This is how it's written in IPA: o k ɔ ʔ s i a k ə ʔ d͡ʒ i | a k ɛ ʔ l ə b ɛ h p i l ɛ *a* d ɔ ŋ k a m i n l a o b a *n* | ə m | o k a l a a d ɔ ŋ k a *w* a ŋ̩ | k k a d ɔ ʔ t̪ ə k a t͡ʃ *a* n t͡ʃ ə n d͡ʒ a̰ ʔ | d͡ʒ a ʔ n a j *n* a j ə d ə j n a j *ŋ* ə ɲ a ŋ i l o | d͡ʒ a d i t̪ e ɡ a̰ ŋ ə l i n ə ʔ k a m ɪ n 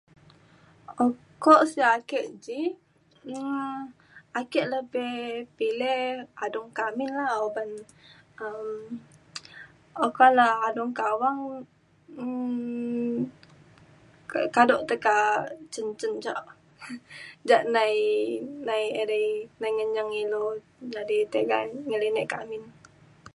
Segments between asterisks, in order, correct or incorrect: correct, correct, correct, incorrect: ə, correct, correct

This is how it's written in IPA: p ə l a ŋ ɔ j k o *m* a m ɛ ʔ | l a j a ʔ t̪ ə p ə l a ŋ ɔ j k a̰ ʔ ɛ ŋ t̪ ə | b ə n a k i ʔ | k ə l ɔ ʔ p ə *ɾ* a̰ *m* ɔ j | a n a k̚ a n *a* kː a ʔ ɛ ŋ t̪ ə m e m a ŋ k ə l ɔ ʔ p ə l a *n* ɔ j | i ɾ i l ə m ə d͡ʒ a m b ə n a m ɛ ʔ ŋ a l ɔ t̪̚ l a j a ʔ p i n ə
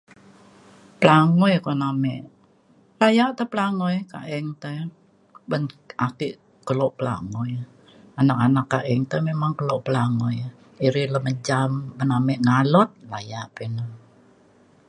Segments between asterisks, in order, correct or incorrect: incorrect: n, incorrect: l, incorrect: ŋ, correct, incorrect: ŋ

